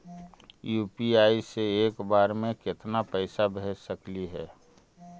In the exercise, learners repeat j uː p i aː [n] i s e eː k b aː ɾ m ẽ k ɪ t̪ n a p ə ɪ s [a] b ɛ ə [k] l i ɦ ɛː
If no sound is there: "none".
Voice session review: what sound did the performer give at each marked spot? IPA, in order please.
none, a, k

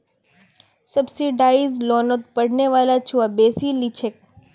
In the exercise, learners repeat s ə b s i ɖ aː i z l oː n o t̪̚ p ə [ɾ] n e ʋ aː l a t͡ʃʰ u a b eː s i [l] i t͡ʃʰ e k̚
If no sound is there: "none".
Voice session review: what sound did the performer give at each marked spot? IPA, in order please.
ɽ, l

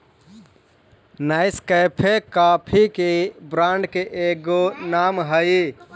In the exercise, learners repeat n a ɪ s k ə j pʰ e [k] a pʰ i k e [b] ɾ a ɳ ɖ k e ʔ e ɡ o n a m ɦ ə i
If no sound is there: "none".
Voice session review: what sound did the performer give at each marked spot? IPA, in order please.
k, b

